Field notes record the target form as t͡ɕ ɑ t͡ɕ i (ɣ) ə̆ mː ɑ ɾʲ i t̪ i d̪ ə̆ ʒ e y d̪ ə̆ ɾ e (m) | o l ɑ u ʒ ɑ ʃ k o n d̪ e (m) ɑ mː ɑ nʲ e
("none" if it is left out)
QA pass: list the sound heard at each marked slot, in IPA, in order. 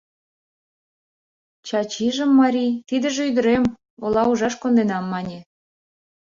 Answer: ʒ, m, n

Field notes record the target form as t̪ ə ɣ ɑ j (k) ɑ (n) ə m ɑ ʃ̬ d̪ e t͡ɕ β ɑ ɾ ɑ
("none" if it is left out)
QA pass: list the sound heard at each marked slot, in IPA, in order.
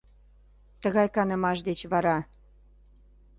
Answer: k, n

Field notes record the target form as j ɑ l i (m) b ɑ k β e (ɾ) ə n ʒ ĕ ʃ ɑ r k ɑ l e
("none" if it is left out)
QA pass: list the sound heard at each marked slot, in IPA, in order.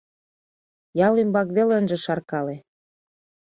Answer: m, l

